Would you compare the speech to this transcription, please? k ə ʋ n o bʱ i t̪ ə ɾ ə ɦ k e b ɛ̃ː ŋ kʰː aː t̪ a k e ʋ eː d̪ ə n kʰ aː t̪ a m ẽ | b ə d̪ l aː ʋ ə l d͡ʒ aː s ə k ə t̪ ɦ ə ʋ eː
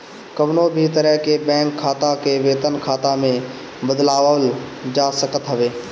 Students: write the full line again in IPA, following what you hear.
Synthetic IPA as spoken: k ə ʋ n o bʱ i t̪ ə ɾ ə ɦ k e b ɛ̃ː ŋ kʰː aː t̪ a k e ʋ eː t̪ ə n kʰ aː t̪ a m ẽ | b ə d̪ l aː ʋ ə l d͡ʒ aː s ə k ə t̪ ɦ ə ʋ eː